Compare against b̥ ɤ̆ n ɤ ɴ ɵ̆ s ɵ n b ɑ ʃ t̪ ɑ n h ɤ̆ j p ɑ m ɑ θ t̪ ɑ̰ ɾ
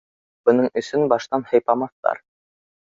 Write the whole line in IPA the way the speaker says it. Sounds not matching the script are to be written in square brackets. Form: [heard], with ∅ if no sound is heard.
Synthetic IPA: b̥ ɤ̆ n ɤ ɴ ɵ̆ s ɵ n b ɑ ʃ t̪ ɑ n h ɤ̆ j p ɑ m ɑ θ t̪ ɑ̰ ɾ